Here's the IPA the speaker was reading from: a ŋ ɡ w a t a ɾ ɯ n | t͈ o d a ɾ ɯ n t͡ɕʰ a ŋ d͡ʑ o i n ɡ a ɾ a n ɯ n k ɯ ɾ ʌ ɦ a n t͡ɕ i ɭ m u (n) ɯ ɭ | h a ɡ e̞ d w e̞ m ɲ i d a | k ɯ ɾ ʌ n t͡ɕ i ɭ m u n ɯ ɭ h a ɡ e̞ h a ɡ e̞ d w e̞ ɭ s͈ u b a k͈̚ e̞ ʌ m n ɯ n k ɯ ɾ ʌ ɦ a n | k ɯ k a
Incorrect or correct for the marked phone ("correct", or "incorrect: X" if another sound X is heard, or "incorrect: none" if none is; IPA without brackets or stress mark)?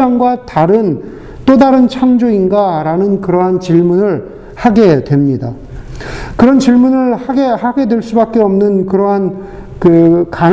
correct